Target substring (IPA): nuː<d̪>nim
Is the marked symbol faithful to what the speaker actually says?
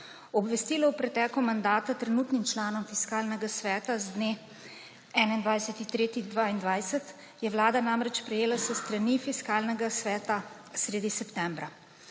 no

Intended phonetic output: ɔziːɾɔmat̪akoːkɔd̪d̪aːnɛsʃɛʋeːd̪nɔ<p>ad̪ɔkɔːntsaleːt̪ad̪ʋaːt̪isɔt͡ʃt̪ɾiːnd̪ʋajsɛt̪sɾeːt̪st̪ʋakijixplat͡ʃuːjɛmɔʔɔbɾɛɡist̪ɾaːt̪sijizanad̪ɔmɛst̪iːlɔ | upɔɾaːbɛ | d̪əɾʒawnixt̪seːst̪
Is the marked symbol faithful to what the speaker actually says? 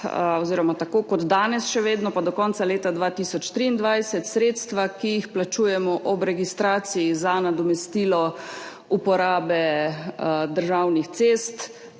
yes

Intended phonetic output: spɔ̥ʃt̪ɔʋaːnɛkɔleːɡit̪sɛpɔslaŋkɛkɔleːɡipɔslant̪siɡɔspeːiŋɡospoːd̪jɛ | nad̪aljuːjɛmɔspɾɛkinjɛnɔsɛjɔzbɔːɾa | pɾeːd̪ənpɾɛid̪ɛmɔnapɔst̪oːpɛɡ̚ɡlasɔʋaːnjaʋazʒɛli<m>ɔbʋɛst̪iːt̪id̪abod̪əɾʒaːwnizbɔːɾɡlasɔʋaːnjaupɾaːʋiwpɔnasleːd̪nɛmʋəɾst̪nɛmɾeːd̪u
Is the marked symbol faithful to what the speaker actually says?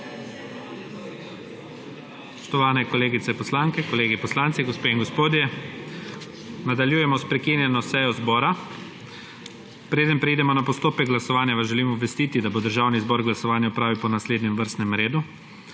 yes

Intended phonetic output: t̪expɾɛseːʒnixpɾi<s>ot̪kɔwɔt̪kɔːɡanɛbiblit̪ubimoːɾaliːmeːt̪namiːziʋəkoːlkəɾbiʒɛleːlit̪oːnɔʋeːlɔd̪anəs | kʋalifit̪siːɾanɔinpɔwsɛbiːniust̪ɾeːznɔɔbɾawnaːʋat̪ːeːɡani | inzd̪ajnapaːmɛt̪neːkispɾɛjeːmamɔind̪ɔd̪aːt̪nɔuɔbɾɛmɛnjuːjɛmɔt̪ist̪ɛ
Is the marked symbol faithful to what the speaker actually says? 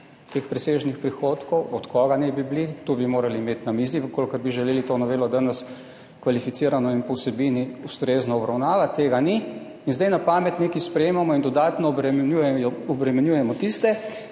no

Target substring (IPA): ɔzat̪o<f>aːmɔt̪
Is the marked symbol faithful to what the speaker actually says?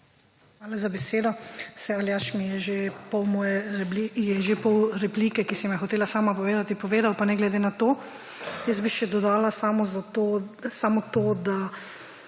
no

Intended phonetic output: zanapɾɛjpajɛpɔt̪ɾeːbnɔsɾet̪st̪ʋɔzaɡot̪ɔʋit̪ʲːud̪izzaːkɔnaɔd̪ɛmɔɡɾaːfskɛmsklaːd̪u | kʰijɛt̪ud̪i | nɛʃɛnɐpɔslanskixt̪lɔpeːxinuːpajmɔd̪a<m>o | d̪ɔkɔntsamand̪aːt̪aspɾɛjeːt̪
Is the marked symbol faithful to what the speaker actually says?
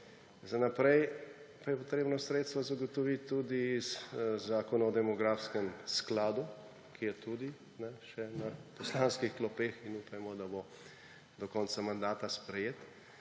no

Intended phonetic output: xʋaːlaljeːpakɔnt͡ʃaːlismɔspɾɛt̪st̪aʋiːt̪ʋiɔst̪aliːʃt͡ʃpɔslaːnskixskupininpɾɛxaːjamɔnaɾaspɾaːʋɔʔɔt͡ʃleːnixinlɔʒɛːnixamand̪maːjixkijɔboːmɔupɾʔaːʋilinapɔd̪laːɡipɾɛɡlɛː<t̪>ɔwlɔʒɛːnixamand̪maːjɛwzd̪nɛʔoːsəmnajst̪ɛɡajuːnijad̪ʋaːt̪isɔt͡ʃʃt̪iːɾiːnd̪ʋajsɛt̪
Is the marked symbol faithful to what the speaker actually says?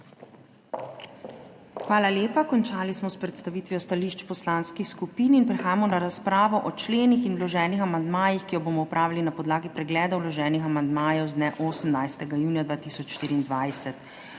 no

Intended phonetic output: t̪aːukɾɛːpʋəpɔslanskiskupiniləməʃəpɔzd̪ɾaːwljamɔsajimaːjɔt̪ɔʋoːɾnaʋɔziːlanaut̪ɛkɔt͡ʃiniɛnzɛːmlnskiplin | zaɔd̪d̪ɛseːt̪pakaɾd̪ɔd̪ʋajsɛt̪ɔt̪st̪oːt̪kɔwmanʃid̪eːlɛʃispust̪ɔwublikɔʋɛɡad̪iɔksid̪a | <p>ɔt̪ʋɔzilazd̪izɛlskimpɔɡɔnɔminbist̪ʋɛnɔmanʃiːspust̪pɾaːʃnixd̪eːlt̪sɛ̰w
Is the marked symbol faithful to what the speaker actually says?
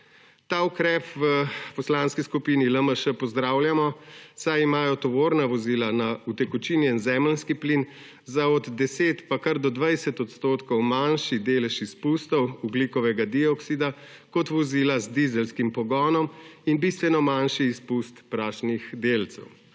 no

